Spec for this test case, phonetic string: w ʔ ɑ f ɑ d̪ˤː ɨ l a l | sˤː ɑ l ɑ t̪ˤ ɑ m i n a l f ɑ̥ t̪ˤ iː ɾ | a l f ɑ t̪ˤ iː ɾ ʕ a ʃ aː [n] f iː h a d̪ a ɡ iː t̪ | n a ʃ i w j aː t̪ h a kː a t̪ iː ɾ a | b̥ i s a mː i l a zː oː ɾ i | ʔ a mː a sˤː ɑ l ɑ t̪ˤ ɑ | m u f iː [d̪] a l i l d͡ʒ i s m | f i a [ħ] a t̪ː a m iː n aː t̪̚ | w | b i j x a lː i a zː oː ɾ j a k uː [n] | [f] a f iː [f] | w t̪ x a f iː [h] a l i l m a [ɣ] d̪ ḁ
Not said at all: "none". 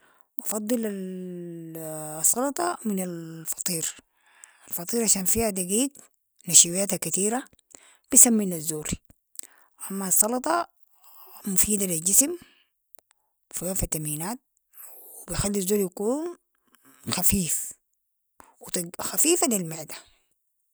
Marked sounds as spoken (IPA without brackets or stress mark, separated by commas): n, d̪, f, n, x, f, f, ʕ